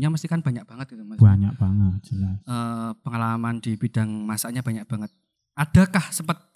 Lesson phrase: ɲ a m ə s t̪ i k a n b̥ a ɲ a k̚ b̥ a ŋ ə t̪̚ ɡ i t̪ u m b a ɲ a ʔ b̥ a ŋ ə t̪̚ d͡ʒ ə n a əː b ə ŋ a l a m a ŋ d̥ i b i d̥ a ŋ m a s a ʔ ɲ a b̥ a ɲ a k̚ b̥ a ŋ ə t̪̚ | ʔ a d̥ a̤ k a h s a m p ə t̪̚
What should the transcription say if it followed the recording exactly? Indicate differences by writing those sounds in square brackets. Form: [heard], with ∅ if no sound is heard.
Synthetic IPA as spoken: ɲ a m ə s t̪ i k a n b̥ a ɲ a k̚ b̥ a ŋ ə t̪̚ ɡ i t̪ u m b a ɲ a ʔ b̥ a ŋ ə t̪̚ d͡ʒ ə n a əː [p] ə ŋ a l a m a [n] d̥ i b i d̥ a ŋ m a s a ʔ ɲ a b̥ a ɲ a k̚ b̥ a ŋ ə t̪̚ | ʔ a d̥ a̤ k a h s [ə] m p ə t̪̚